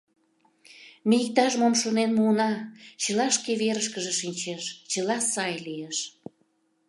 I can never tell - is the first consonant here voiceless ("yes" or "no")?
no